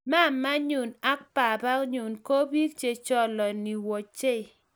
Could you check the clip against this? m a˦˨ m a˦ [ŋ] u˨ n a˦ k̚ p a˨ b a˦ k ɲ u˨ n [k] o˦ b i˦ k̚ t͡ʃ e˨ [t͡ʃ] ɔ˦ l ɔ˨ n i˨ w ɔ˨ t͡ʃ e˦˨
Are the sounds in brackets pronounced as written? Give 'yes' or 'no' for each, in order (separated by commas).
no, yes, yes